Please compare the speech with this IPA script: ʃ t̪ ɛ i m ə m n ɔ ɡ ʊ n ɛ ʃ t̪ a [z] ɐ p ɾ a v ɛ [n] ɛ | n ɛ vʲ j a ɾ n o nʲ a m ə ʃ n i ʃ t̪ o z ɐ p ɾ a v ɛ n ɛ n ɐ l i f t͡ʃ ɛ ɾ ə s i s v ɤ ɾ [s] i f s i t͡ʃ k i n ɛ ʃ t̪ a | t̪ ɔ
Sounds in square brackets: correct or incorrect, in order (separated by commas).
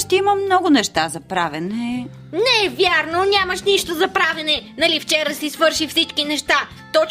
correct, correct, incorrect